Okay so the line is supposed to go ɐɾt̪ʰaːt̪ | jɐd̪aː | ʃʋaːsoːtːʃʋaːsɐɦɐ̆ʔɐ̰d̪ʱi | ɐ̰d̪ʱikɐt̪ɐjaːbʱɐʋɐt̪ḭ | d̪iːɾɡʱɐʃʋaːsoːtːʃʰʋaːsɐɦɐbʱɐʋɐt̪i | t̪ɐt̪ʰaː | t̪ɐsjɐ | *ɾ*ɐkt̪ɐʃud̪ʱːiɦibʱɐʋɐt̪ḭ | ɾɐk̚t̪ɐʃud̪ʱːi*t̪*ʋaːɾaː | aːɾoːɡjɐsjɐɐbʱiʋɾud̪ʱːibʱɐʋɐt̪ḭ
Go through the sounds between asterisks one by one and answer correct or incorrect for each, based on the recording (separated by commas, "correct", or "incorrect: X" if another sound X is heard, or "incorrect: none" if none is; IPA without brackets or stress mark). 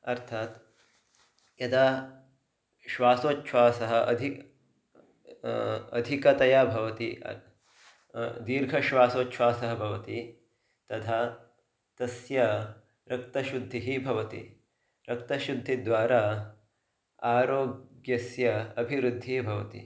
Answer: correct, incorrect: d̪